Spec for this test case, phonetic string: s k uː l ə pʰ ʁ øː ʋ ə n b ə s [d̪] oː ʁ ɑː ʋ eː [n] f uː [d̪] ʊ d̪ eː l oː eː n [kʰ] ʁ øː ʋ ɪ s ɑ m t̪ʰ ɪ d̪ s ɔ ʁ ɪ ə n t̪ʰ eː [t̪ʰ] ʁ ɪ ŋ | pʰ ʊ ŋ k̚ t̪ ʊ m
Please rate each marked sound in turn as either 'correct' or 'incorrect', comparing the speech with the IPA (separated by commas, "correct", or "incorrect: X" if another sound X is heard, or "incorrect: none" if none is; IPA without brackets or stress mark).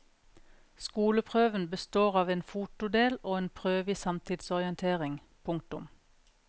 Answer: incorrect: t̪, correct, incorrect: t̪, incorrect: pʰ, incorrect: none